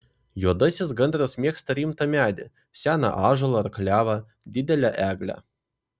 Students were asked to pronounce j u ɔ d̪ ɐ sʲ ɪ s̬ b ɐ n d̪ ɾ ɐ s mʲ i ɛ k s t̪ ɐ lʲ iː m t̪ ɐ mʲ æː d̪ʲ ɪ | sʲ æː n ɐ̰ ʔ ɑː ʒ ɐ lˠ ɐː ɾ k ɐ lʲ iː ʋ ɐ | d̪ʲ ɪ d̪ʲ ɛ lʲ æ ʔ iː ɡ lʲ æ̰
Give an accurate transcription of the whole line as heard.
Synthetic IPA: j u ɔ d̪ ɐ sʲ ɪ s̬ ɡ ɐ n d̪ ɾ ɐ s mʲ i ɛ k s t̪ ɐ ɾʲ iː m t̪ ɐ mʲ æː d̪ʲ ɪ | sʲ æː n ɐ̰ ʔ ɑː ʒ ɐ lˠ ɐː ɾ k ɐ lʲ æː ʋ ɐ | d̪ʲ ɪ d̪ʲ ɛ lʲ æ ʔ æː ɡ lʲ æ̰